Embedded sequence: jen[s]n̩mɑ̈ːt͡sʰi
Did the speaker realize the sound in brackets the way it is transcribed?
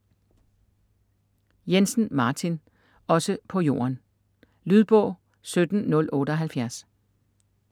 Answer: yes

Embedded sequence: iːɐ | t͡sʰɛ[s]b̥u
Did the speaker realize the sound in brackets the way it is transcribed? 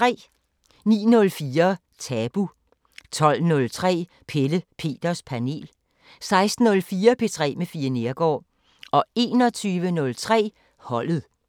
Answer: no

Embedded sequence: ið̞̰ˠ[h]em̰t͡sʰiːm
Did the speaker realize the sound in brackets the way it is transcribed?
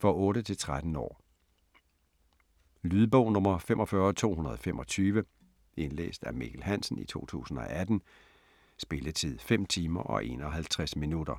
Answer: no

